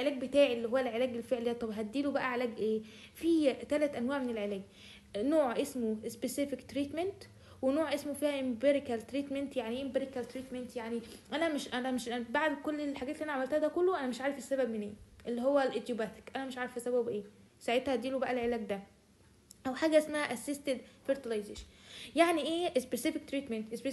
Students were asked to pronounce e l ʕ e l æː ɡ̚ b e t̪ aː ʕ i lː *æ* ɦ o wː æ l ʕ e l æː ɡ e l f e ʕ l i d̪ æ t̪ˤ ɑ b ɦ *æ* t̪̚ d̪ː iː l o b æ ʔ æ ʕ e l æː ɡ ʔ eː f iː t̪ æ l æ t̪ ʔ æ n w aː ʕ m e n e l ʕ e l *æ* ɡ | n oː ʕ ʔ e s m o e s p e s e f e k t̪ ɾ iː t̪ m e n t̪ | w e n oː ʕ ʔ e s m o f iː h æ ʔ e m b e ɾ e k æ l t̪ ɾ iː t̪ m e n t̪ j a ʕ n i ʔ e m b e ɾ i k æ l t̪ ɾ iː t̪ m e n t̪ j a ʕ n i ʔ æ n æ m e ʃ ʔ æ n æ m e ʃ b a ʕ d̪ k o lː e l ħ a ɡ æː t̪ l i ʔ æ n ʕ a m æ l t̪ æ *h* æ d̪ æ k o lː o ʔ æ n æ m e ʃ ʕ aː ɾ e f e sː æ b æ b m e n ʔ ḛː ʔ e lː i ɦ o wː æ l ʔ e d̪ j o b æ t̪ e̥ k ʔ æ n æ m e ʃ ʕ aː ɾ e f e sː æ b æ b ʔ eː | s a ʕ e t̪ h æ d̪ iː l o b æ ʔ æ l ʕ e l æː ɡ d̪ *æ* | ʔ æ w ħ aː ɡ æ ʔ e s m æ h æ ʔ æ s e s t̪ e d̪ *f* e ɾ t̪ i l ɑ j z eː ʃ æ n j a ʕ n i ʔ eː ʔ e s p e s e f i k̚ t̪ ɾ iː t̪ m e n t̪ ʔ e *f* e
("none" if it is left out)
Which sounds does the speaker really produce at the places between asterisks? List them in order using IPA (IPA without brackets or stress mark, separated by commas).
i, æ, æː, h, æ, f, s